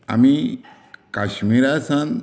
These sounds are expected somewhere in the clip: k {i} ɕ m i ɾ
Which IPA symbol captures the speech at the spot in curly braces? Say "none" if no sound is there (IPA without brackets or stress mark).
a